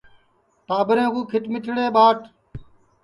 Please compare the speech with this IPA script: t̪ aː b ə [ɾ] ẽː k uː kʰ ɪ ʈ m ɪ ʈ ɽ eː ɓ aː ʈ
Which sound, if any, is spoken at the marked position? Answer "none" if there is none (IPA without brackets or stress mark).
ɾ